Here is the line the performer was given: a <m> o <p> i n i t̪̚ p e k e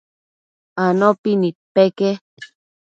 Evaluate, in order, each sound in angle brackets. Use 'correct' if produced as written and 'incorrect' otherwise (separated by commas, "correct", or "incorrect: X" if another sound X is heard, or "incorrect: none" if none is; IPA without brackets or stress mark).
incorrect: n, correct